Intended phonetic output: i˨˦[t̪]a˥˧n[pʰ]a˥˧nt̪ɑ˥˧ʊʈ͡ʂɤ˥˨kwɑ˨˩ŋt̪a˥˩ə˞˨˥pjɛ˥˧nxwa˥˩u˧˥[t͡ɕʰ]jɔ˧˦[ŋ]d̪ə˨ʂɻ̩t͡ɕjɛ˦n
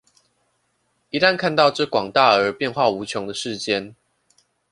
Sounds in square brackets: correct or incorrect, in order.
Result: correct, incorrect, correct, correct

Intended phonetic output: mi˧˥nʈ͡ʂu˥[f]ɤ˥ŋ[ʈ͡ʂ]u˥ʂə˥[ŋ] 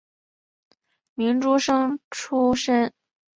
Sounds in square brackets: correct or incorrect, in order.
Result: incorrect, incorrect, incorrect

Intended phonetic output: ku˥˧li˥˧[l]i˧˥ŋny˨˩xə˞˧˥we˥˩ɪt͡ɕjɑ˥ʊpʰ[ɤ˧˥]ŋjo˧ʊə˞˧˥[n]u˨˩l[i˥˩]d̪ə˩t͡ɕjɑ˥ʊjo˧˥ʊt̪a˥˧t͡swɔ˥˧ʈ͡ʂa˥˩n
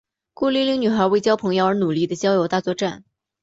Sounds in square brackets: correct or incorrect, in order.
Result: correct, correct, correct, correct

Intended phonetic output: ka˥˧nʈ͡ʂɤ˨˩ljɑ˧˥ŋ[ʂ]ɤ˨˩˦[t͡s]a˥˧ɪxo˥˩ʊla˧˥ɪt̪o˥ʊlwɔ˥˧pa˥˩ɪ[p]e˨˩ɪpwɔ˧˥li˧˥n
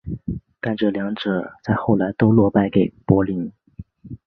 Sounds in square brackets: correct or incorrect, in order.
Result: incorrect, correct, incorrect

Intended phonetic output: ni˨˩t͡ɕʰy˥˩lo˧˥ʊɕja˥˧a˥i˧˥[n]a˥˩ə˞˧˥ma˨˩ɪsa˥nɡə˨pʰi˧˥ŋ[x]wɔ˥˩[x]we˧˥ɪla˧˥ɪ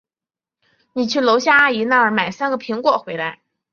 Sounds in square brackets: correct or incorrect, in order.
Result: correct, incorrect, correct

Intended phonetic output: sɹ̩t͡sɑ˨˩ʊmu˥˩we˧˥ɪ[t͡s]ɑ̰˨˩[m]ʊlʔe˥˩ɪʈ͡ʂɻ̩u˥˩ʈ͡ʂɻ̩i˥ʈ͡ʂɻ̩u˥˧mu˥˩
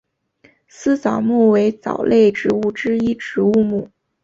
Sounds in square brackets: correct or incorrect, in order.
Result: correct, incorrect

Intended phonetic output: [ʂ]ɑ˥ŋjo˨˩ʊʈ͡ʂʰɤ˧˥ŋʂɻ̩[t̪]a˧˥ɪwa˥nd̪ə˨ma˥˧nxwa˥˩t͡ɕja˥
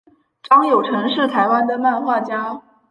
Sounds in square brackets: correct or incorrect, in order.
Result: incorrect, incorrect

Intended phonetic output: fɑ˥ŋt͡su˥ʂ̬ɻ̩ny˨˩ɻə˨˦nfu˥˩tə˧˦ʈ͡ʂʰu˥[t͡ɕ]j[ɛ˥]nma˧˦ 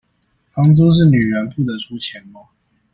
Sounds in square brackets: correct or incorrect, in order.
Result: incorrect, incorrect

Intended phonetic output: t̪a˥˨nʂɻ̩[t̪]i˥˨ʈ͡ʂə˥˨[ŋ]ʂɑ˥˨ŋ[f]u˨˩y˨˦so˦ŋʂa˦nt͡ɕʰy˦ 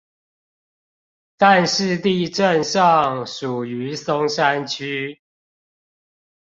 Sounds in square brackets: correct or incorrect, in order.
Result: correct, incorrect, incorrect

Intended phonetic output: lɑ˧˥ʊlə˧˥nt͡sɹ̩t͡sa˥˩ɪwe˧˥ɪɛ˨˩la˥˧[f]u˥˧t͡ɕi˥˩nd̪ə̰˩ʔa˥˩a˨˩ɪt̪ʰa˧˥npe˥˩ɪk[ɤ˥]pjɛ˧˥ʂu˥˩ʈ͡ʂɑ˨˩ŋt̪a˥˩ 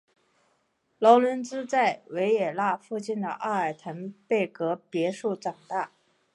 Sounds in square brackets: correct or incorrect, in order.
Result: correct, incorrect

